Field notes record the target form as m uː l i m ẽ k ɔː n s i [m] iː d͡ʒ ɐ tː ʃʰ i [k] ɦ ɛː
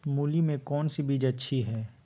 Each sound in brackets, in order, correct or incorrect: incorrect: b, incorrect: none

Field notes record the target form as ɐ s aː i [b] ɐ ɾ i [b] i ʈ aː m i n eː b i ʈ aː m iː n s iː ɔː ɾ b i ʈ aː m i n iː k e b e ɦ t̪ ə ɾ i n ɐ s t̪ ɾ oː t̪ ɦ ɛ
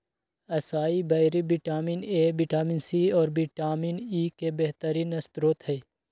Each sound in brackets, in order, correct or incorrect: correct, correct

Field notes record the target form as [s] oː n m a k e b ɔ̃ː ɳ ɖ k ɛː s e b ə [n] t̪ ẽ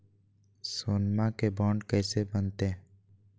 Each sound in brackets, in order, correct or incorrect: correct, correct

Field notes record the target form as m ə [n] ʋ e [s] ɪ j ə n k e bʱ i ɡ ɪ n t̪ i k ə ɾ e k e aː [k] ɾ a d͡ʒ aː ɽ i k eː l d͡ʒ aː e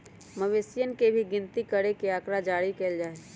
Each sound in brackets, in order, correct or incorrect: incorrect: none, correct, correct

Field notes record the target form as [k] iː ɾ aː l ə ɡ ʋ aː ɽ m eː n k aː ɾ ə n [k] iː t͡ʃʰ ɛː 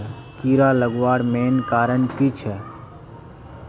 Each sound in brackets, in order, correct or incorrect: correct, correct

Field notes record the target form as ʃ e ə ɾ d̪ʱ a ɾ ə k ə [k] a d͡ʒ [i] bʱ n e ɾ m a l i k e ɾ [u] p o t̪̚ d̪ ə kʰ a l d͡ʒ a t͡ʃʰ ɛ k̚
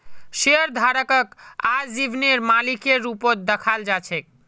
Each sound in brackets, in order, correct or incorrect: correct, correct, correct

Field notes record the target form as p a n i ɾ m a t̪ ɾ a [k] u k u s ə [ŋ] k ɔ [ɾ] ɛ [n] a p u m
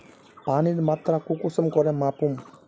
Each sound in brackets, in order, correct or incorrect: correct, incorrect: m, correct, incorrect: m

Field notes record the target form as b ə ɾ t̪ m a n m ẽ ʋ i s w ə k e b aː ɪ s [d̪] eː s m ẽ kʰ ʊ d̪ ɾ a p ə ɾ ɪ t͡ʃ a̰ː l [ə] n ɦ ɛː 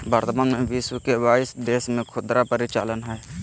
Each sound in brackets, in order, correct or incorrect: correct, correct

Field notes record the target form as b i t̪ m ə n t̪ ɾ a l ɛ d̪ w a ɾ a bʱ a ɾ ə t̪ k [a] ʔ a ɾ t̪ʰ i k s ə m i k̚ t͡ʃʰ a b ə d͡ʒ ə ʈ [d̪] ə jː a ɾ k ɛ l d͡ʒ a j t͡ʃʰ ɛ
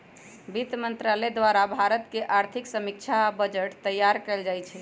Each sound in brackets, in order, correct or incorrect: incorrect: e, incorrect: t̪

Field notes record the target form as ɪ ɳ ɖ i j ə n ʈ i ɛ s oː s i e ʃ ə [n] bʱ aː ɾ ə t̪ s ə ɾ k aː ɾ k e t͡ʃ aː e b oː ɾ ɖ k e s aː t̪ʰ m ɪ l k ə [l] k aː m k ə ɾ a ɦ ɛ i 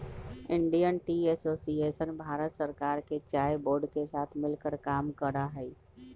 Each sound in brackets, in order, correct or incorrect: correct, incorrect: ɾ

